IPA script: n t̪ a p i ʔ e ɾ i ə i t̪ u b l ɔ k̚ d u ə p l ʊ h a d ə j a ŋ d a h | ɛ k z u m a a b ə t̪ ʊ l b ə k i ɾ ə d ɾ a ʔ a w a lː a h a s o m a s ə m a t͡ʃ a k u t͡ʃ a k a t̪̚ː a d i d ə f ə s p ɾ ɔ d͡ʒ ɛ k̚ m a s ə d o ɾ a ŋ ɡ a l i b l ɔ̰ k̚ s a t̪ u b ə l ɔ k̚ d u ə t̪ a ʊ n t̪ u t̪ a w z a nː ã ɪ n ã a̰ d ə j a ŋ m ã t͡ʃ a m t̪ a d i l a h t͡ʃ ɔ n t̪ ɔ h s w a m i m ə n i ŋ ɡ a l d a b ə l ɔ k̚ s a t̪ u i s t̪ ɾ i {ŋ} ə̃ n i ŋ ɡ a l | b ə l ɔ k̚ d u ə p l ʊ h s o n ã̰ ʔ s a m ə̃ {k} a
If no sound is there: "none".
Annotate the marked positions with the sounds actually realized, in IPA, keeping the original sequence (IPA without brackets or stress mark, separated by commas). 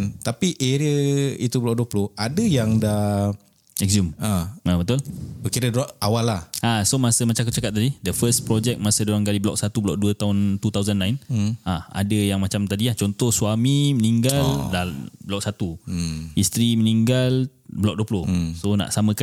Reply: m, k